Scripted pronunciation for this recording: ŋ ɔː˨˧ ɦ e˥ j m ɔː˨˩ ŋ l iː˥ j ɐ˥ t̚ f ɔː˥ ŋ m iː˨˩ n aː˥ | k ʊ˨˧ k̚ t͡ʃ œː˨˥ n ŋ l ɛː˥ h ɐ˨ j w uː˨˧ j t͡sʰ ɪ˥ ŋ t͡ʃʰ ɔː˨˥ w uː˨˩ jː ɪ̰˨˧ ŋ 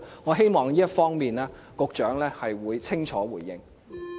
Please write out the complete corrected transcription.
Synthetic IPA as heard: ŋ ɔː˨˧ ɦ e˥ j m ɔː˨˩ ŋ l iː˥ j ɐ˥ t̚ f ɔː˥ ŋ m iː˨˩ n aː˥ | k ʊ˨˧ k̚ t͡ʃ œː˨˥ ŋ l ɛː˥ h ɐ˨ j w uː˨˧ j t͡sʰ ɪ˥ ŋ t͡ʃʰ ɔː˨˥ w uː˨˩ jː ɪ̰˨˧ ŋ